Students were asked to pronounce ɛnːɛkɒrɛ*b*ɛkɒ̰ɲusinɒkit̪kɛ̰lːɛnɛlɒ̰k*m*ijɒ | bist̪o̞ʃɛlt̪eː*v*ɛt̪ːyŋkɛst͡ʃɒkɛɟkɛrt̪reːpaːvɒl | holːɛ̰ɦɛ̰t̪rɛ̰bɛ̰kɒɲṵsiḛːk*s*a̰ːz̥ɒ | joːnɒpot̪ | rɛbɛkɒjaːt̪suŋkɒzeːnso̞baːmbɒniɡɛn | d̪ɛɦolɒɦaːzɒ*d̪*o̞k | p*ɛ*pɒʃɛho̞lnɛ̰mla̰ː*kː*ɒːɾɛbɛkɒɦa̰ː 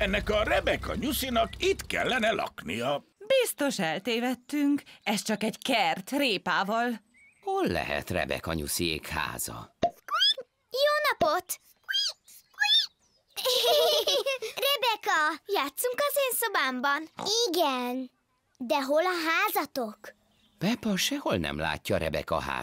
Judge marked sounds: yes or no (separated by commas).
yes, no, yes, no, no, yes, no